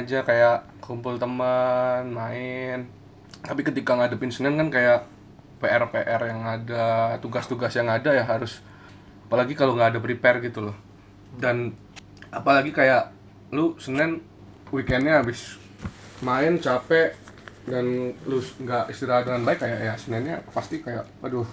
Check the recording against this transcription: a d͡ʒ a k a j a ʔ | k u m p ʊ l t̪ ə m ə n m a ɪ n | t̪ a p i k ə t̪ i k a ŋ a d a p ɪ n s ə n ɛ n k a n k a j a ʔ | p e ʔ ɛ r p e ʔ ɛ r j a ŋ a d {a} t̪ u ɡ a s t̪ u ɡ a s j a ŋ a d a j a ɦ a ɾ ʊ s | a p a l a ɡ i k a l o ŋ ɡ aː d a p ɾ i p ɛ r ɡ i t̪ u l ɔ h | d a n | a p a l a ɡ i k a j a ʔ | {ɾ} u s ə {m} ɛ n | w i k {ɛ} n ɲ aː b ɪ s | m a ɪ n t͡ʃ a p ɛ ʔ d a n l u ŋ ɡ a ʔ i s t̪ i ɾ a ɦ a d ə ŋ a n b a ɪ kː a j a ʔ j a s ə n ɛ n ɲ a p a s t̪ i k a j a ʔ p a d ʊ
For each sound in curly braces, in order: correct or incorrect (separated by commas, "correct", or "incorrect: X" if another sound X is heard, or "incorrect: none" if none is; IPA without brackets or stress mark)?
correct, incorrect: l, incorrect: n, correct